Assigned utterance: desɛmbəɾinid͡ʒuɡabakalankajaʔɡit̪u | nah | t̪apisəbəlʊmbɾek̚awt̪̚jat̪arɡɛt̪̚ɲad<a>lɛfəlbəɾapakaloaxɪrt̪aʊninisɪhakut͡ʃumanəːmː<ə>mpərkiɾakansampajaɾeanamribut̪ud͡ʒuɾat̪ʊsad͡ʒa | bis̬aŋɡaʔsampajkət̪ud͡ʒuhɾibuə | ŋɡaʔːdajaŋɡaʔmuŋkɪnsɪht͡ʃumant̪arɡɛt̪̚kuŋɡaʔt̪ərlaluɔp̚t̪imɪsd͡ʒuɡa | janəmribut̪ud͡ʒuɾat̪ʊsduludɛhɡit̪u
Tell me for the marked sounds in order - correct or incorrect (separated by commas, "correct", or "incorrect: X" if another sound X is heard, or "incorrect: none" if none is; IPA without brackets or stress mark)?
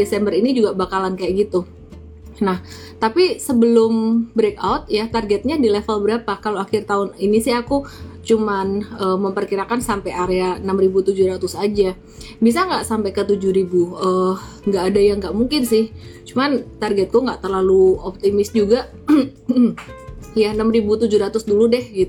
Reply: incorrect: i, correct